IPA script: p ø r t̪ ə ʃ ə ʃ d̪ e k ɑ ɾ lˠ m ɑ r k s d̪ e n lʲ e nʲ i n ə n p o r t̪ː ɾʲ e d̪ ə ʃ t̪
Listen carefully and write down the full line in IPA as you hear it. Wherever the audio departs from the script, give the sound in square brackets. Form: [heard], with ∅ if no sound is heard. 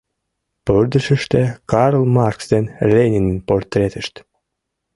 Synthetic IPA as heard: p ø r [d̪] ə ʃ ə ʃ [t̪] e k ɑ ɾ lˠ m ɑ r k s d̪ e n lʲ e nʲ i n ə n p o r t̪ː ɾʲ e [t̪] ə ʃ t̪